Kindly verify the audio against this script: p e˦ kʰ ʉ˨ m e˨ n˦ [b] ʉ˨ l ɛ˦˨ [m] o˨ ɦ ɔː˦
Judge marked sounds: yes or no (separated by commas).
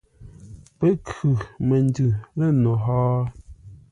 no, no